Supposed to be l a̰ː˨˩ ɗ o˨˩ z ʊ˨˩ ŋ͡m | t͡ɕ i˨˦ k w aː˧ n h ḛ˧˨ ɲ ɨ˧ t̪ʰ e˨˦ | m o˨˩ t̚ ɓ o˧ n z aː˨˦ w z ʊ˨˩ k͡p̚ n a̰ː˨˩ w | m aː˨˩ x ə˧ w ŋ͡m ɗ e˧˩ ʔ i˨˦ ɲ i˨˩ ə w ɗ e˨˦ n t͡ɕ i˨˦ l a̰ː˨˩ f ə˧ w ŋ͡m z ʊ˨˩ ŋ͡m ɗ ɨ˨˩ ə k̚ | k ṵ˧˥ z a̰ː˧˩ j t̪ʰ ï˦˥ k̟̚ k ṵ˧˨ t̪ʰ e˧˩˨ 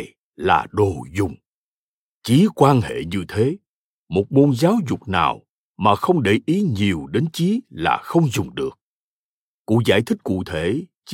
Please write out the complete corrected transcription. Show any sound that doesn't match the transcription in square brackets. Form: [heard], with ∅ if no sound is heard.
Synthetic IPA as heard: l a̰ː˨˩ ɗ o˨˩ z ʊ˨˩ ŋ͡m | t͡ɕ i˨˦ k w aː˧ n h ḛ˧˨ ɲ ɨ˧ t̪ʰ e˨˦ | m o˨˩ t̚ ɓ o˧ n z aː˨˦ w z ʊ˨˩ k͡p̚ n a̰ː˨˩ w | m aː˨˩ x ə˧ w ŋ͡m ɗ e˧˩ ʔ i˨˦ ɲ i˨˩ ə w ɗ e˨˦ n t͡ɕ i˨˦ l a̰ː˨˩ [x] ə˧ w ŋ͡m z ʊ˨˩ ŋ͡m ɗ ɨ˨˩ ə k̚ | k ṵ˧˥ z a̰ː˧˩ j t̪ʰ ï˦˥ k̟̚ k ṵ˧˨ t̪ʰ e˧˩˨